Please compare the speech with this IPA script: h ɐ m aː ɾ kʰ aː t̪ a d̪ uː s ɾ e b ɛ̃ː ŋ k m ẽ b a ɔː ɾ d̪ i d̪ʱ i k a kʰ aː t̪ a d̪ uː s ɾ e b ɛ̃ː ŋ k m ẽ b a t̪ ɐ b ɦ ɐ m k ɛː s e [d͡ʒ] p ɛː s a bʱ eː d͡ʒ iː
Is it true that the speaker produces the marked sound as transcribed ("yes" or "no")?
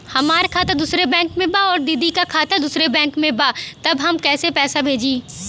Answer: no